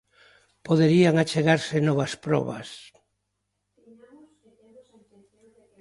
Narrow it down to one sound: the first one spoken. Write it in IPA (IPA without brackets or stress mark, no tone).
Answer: p